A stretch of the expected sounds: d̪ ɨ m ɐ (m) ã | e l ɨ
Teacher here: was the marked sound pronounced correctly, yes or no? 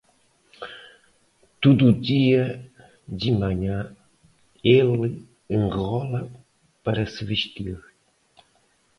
no